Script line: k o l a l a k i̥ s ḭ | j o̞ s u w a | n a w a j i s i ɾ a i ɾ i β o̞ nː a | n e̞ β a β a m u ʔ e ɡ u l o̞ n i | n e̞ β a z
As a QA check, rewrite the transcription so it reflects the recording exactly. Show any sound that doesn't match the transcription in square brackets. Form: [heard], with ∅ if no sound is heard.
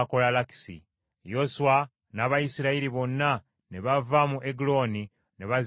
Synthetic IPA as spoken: k o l a l a k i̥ s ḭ | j o̞ s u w a | n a [β] a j i s i ɾ a i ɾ i β o̞ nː a | n e̞ β a [v] a m u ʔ e ɡ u l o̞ n i | n e̞ β a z